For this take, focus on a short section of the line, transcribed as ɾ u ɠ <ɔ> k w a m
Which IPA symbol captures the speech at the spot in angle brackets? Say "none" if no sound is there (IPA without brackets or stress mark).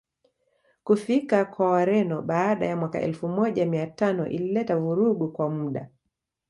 u